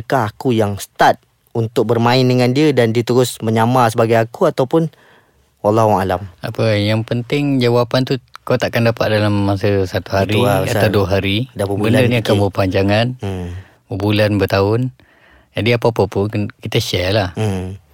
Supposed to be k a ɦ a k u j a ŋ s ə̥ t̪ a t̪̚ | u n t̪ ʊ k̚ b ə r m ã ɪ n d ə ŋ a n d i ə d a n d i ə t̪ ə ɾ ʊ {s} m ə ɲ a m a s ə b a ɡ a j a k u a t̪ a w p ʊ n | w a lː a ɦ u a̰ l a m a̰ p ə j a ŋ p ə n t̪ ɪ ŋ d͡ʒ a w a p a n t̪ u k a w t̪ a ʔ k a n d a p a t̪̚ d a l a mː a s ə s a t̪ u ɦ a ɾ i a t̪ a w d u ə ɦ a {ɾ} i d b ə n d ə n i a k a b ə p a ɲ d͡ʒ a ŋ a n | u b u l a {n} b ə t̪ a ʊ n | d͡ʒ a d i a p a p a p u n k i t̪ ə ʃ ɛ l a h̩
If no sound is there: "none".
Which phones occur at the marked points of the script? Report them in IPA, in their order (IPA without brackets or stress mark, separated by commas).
s, ɾ, n